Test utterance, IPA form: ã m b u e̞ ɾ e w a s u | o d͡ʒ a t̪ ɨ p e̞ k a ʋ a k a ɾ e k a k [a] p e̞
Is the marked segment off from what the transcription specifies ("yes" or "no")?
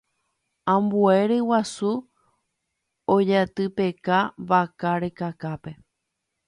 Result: no